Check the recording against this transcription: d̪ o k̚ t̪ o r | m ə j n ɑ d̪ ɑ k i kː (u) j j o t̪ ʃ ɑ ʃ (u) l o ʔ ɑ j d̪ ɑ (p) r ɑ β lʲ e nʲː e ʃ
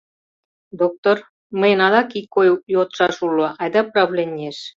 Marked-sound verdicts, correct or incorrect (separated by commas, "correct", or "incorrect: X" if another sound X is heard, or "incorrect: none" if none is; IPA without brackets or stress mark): incorrect: o, correct, correct